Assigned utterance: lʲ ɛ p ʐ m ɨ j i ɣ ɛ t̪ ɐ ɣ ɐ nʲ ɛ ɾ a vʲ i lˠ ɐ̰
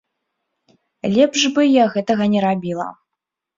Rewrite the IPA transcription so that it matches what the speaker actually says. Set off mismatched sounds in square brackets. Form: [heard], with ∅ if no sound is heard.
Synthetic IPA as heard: lʲ ɛ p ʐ [b] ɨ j [a] ɣ ɛ t̪ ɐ ɣ ɐ nʲ ɛ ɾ a [bʲ] i lˠ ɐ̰